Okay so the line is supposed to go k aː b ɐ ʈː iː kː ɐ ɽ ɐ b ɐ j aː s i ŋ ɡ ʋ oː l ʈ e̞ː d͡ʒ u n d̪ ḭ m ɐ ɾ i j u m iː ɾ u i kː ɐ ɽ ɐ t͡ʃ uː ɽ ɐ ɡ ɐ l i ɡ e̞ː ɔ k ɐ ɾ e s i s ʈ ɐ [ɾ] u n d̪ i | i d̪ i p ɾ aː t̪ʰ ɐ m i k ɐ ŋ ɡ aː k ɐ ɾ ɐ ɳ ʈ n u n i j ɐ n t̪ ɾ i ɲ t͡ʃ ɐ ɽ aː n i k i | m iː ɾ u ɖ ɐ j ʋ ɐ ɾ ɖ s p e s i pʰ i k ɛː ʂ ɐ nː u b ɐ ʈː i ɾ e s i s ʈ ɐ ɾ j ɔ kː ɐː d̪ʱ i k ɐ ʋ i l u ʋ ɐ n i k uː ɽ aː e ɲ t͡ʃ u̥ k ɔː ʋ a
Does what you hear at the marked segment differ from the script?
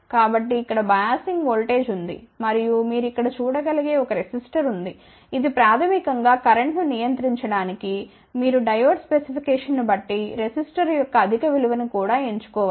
no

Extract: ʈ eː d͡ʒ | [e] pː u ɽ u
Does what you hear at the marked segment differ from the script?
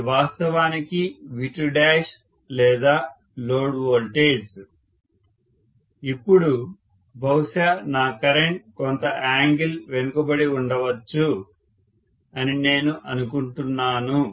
yes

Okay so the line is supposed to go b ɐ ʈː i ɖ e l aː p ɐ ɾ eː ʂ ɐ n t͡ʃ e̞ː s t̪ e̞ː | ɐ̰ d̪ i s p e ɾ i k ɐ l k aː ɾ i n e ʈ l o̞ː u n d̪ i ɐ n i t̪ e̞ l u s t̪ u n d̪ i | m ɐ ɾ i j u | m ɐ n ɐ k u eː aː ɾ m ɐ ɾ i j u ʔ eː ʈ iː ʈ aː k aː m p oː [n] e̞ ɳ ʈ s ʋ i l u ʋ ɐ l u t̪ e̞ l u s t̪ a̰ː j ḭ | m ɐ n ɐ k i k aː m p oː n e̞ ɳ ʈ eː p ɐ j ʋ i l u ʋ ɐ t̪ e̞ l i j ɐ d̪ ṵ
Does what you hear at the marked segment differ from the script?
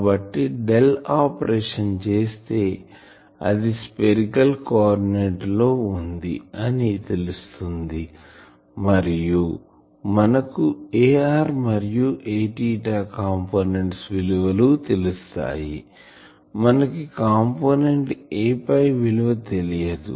no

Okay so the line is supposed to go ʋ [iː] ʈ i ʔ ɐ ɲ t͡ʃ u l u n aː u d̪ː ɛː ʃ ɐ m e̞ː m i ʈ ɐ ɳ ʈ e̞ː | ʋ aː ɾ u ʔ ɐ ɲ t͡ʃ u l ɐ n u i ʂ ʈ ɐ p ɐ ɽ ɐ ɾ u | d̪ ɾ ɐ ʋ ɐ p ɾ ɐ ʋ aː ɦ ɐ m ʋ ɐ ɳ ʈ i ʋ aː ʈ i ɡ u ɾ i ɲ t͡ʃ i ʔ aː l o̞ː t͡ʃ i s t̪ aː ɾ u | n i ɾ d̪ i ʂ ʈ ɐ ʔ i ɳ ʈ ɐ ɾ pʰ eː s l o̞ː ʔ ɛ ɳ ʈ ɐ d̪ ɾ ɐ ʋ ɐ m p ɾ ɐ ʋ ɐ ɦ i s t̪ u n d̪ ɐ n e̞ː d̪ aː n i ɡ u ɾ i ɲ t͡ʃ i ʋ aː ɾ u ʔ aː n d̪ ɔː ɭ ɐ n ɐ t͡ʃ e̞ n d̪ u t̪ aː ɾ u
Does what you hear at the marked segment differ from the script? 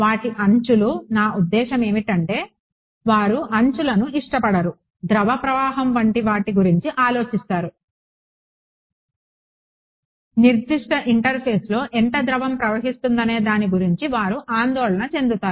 yes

